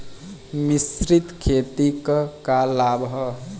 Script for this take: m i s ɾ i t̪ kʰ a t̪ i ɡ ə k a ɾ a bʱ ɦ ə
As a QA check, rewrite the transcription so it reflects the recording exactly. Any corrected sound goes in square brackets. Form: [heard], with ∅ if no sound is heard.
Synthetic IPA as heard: m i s ɾ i t̪ kʰ [e] t̪ i [k] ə k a [l] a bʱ ɦ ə